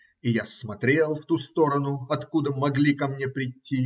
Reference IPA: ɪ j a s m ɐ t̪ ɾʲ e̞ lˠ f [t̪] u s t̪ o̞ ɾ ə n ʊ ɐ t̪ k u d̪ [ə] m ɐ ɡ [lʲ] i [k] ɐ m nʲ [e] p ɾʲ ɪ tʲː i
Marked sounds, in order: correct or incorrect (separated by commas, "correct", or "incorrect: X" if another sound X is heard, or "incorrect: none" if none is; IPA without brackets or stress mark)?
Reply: correct, correct, correct, correct, correct